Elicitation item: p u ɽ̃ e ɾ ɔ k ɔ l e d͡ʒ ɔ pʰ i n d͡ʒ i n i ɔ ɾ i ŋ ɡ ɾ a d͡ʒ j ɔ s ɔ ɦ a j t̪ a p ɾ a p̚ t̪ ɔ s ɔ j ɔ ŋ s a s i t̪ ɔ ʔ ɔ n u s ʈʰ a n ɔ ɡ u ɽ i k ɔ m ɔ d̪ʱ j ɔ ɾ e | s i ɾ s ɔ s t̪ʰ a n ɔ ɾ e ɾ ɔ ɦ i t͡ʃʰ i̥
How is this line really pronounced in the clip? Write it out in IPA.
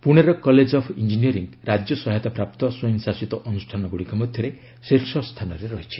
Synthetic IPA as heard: p u ɽ̃ e ɾ ɔ k ɔ l e d͡ʒ ɔ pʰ i n d͡ʒ i n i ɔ ɾ i ŋ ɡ ɾ a d͡ʒ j ɔ s ɔ ɦ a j t̪ a p ɾ a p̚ t̪ ɔ s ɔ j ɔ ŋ s a s i t̪ ɔ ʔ ɔ n u s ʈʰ a n ɔ ɡ u ɽ i k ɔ m ɔ d̪ʱ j ɔ ɾ e | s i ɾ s ɔ s t̪ʰ a n ɔ ɾ e ɾ ɔ ɦ i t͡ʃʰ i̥